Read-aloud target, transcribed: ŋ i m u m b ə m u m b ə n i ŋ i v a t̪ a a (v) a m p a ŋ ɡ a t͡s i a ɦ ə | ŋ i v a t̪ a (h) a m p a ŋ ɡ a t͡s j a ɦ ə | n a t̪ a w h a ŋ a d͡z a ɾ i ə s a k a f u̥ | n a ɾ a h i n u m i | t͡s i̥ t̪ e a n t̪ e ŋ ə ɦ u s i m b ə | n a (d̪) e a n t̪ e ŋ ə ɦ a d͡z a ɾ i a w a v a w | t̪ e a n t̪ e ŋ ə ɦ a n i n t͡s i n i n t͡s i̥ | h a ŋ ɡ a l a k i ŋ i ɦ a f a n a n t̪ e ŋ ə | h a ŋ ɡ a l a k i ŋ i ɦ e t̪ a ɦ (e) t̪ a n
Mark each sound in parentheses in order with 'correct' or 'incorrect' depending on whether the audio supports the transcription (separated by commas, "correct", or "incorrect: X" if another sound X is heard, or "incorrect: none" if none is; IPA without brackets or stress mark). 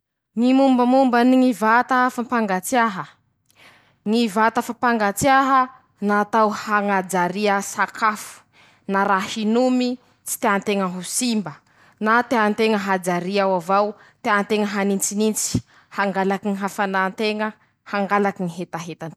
incorrect: f, incorrect: f, incorrect: t̪, correct